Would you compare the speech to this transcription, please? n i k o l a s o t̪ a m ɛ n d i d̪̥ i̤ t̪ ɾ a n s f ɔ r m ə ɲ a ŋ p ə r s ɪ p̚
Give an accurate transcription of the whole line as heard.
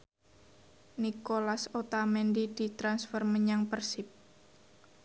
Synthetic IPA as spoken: n i k o l a s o t̪ a m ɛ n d i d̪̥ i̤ t̪ ɾ a n s f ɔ r m ə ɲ a ŋ p ə r s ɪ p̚